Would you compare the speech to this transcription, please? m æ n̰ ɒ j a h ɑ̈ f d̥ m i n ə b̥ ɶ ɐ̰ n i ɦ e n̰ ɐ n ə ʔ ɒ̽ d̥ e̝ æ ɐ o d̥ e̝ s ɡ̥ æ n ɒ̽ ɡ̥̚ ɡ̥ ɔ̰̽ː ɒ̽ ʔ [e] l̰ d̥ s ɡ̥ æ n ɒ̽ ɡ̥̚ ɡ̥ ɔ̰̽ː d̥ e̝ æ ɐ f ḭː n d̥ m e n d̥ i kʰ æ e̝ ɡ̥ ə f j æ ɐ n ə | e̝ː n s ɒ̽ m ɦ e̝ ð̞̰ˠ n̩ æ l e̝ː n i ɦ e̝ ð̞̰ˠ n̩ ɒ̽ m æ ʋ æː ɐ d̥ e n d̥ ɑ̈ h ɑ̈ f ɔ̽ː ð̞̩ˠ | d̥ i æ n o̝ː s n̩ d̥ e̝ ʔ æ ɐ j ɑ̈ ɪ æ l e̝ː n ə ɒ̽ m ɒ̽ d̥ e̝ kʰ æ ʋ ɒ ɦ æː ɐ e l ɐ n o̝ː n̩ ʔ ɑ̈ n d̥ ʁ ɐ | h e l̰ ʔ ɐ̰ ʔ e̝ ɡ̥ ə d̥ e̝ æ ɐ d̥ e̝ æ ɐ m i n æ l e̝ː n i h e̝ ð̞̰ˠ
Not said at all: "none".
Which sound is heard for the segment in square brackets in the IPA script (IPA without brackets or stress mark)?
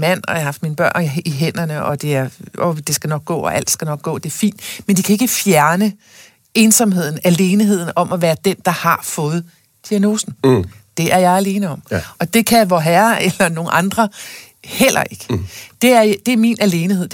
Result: æ